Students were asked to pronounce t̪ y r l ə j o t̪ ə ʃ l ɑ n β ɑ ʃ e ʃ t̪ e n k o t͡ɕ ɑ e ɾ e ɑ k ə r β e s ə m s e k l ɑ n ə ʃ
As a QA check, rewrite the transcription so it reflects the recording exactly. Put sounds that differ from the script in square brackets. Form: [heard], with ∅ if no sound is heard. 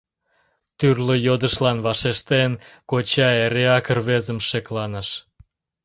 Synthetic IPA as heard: t̪ y r l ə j o [d̪] ə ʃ l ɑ n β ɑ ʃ e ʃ t̪ e n k o t͡ɕ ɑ e ɾ e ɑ k ə r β e [z] ə m [ʃ] e k l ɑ n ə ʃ